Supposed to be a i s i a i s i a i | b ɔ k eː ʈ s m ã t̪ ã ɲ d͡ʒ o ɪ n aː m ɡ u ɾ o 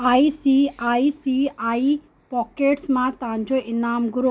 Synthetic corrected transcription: a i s i a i s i a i | p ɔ k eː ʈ s m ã t̪ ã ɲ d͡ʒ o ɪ n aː m ɡ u ɾ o